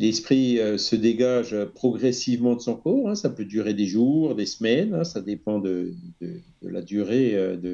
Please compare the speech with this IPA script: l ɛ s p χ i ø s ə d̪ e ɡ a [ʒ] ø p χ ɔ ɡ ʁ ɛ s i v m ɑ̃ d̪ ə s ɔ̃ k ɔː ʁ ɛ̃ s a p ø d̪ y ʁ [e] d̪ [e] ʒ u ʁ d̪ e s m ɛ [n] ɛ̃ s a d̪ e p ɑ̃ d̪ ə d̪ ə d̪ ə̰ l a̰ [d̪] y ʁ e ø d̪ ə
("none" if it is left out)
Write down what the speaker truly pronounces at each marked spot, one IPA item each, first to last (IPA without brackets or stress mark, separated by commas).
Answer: ʒ, e, e, n, d̪